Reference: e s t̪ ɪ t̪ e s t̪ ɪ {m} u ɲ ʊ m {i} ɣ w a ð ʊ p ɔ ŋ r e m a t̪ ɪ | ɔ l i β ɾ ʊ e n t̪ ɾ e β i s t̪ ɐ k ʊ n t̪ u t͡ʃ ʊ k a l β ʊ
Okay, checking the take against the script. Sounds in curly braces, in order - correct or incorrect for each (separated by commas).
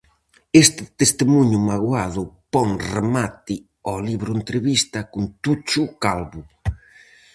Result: correct, incorrect